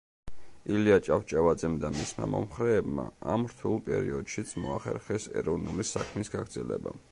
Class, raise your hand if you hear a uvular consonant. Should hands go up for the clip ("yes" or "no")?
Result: yes